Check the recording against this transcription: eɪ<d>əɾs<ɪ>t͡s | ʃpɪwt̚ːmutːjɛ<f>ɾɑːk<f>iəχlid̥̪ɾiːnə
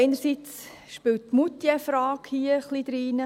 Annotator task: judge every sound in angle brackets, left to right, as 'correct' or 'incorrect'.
incorrect: n, incorrect: i, correct, incorrect: h

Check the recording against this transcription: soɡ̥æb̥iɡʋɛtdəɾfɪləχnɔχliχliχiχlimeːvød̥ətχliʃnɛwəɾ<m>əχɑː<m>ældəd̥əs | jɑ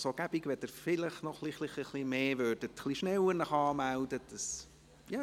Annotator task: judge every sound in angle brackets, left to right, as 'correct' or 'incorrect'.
incorrect: n, correct

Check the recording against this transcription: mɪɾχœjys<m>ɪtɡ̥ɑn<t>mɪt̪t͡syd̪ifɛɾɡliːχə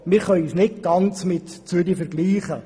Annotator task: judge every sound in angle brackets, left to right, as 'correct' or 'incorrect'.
incorrect: n, incorrect: t͡s

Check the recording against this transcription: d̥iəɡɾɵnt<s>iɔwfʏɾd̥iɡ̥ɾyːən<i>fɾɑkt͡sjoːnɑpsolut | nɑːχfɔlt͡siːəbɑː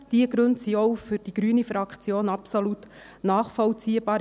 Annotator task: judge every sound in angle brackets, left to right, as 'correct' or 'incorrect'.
correct, correct

